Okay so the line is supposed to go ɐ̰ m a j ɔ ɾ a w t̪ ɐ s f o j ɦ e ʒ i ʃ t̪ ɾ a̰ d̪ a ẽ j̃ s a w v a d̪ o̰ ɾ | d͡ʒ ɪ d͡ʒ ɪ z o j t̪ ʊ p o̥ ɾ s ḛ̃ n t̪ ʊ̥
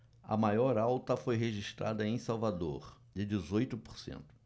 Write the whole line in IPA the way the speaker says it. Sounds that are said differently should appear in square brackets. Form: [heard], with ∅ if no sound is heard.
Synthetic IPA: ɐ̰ m a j ɔ ɾ a w t̪ ɐ [∅] f o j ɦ e ʒ i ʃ t̪ ɾ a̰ d̪ [ɐ] ẽ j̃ s a w v a d̪ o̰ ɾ | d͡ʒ ɪ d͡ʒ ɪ z o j t̪ ʊ p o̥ ɾ s ḛ̃ n t̪ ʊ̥